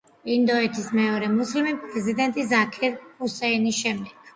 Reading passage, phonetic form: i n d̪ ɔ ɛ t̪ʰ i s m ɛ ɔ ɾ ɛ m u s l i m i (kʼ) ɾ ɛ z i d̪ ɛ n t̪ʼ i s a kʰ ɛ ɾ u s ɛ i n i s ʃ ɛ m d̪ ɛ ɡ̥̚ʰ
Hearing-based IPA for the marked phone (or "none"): pʼ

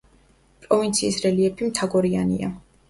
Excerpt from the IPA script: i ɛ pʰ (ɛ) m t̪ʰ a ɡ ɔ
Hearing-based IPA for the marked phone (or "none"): i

